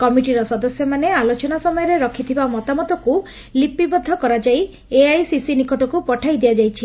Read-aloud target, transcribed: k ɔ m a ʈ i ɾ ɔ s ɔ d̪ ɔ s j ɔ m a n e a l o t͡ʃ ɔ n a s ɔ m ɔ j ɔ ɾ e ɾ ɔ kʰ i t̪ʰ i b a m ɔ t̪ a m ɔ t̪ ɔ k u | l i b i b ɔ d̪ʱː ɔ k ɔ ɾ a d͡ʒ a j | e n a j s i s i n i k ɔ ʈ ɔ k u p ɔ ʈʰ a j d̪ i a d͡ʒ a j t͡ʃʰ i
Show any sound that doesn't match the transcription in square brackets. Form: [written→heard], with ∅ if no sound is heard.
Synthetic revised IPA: k ɔ m [a→i] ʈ i ɾ ɔ s ɔ d̪ ɔ s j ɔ m a n e a l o t͡ʃ ɔ n a s ɔ m ɔ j ɔ ɾ e ɾ ɔ kʰ i t̪ʰ i b a m ɔ t̪ a m ɔ t̪ ɔ k u | l i [b→p] i b ɔ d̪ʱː ɔ k ɔ ɾ a d͡ʒ a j | e [n→∅] a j s i s i n i k ɔ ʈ ɔ k u p ɔ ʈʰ a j d̪ i a d͡ʒ a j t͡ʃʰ i